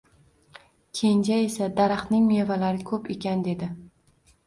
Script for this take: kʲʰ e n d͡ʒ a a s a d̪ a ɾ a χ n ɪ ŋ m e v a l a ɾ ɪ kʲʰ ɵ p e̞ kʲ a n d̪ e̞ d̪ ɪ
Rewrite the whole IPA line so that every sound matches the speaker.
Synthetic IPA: kʲʰ e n d͡ʒ a e s a d̪ a ɾ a χ n ɪ ŋ m e v a l a ɾ ɪ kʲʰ ɵ p e̞ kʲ a n d̪ e̞ d̪ ɪ